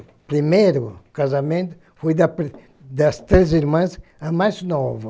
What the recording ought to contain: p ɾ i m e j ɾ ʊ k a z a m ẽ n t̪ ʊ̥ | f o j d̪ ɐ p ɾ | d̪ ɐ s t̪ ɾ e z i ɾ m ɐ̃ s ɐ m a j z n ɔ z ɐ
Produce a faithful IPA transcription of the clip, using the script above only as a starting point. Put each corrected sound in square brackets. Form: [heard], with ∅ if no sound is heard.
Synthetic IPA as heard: p ɾ i m e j ɾ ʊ k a z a m ẽ n t̪ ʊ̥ | f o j d̪ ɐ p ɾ | d̪ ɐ s t̪ ɾ e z i ɾ m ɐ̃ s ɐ m a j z n ɔ [v] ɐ